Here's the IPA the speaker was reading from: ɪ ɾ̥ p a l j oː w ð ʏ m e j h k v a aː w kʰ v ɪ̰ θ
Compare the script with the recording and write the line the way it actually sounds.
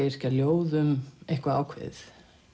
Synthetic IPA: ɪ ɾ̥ c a l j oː w ð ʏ m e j h k v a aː w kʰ v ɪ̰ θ